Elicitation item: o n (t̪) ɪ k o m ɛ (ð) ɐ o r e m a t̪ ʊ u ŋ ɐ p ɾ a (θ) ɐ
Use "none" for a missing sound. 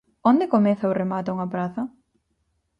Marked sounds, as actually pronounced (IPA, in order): d̪, θ, θ

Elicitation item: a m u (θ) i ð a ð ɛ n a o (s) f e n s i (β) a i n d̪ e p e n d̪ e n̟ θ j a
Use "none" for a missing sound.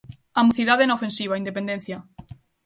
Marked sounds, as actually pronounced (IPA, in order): θ, none, β

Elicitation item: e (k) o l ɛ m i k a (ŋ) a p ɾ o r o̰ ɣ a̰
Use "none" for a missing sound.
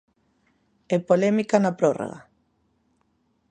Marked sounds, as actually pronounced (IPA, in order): p, n

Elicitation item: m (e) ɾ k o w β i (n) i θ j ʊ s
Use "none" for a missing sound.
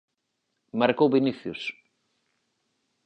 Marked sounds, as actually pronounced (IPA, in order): a, n

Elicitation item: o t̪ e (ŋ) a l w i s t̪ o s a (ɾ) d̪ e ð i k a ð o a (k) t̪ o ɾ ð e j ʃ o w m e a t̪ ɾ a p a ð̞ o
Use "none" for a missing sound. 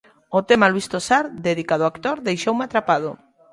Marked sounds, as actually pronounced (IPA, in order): m, ɾ, k

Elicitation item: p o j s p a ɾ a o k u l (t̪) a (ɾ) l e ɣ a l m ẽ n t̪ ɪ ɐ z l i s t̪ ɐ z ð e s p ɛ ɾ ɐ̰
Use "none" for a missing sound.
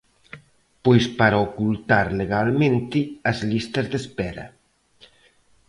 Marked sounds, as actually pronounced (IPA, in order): t̪, ɾ

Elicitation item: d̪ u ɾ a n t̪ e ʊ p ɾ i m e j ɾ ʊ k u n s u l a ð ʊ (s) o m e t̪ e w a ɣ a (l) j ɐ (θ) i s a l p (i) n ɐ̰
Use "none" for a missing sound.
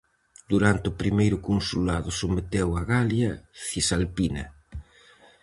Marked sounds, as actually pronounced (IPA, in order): s, l, θ, i

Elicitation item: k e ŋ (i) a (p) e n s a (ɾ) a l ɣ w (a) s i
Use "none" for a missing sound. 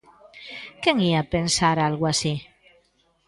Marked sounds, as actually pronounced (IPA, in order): i, p, ɾ, a

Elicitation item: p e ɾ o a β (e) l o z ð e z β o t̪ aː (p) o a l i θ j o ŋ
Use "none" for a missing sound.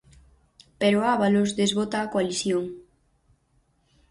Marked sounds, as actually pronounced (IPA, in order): a, k

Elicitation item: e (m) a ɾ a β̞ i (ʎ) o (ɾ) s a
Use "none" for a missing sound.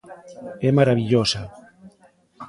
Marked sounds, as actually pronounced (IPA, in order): m, ʎ, none

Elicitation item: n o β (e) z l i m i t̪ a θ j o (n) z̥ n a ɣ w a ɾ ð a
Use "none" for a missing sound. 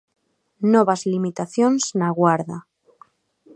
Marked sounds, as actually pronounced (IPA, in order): a, n

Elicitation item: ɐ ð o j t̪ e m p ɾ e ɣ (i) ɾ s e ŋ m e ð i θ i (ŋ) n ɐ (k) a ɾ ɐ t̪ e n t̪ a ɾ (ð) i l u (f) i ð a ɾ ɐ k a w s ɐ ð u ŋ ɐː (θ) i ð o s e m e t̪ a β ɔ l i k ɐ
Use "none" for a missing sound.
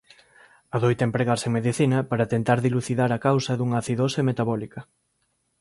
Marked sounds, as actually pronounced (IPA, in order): a, none, p, ð, θ, θ

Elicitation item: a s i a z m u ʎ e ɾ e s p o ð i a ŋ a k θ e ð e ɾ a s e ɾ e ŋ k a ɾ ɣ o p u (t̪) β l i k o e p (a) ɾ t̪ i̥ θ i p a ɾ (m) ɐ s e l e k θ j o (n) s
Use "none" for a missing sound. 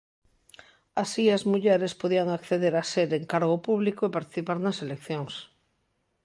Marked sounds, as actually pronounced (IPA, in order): none, a, n, ŋ

